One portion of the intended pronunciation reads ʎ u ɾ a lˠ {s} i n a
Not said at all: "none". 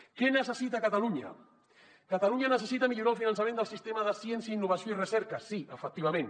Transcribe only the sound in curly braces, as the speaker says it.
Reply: f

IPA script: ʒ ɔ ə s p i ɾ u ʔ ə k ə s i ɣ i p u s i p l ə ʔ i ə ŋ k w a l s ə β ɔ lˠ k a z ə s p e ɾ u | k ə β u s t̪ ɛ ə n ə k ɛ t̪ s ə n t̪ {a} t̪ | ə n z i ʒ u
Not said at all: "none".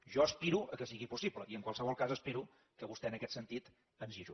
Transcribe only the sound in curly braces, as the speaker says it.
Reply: i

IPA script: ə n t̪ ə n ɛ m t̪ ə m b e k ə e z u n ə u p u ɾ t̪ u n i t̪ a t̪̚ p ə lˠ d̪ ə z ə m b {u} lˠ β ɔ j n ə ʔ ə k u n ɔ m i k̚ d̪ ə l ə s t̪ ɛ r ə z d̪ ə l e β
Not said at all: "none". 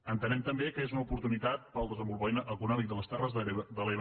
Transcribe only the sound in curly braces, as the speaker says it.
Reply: u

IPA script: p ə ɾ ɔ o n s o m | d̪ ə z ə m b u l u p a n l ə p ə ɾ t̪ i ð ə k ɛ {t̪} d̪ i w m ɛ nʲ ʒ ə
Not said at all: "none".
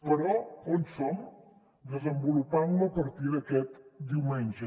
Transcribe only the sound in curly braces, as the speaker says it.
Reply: t̪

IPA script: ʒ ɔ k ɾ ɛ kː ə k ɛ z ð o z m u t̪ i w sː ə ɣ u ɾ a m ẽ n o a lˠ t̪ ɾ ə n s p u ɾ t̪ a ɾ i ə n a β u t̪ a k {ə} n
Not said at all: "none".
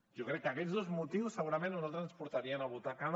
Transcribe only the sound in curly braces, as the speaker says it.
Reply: a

